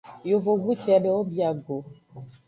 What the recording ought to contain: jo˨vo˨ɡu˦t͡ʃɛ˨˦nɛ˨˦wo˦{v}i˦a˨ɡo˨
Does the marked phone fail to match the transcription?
yes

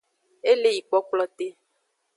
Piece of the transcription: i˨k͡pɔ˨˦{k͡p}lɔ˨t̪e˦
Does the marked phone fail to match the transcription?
no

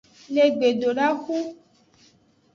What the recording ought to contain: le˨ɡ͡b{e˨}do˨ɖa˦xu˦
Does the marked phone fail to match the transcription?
no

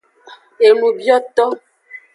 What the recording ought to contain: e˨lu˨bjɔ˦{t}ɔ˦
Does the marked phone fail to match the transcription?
no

